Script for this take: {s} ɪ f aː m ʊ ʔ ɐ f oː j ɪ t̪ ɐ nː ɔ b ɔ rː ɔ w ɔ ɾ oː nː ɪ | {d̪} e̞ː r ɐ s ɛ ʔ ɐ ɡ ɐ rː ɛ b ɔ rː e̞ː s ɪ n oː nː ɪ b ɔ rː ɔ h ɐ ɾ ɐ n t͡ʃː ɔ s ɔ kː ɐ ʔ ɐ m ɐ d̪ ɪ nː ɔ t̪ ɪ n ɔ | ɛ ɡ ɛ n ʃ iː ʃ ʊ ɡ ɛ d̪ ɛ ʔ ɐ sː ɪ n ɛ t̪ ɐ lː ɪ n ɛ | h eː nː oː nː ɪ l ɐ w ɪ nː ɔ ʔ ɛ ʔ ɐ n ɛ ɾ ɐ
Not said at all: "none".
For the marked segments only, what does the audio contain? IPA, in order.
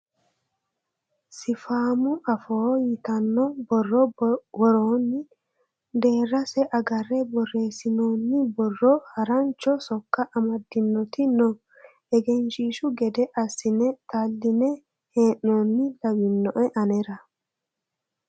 s, d̪

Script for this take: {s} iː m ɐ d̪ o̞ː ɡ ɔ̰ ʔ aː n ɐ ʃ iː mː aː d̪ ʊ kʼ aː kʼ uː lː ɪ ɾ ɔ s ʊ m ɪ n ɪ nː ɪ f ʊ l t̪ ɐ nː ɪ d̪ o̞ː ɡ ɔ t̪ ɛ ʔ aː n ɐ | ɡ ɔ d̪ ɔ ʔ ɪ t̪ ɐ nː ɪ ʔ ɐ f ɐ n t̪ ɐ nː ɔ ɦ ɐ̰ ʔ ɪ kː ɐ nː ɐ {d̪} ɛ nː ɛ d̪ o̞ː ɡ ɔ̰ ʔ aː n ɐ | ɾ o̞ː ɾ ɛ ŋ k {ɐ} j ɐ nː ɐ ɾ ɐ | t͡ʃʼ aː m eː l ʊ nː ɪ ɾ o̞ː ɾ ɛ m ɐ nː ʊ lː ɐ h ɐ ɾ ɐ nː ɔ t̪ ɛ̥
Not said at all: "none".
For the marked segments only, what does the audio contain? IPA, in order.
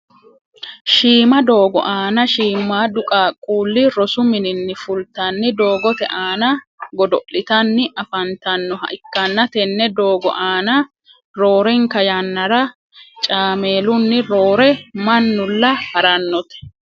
ʃ, t̪, ɐ

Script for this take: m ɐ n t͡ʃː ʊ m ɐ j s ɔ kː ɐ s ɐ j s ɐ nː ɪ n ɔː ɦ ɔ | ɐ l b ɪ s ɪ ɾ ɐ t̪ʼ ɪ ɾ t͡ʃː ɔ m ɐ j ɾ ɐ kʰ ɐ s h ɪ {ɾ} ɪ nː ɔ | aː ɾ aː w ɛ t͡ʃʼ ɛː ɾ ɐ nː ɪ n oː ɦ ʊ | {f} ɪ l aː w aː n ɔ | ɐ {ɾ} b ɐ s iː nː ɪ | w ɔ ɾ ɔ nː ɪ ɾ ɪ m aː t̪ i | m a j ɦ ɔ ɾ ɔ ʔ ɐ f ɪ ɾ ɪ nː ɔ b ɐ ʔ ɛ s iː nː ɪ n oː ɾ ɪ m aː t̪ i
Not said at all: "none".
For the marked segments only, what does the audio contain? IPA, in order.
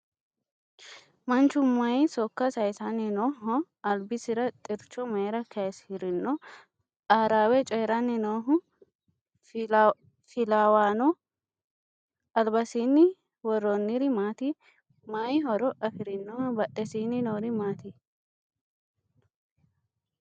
ɾ, f, l

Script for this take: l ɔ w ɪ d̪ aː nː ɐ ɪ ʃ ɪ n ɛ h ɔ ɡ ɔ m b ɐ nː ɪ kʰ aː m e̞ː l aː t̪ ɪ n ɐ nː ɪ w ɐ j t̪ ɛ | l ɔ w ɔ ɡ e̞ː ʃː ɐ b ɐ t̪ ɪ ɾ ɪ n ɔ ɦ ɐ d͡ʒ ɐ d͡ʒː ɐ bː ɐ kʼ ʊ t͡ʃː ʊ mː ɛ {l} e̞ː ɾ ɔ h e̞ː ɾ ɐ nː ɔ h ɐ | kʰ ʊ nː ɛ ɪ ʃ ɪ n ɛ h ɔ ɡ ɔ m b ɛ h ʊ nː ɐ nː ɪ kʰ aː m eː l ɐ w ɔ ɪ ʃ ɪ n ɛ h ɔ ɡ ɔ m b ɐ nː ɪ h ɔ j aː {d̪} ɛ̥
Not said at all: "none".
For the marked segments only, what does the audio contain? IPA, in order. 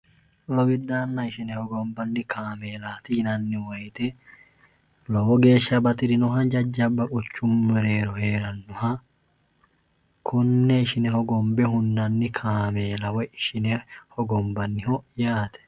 ɾ, t̪

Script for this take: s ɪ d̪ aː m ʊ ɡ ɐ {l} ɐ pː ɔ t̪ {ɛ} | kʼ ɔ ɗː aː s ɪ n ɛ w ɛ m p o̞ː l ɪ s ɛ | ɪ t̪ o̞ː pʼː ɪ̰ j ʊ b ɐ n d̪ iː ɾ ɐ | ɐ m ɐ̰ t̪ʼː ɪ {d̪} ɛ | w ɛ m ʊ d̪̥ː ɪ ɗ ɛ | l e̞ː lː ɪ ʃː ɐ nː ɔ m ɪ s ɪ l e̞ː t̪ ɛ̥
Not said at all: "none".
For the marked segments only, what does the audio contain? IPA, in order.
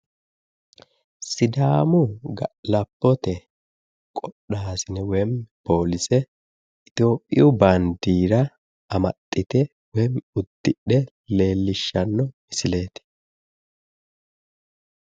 l, ɛ, t̪

